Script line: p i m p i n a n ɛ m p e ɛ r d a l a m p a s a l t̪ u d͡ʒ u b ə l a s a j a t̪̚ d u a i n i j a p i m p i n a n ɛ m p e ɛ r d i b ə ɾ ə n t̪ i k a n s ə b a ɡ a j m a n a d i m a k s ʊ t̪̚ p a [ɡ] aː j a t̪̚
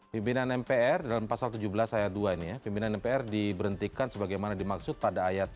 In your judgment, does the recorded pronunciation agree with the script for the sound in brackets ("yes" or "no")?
no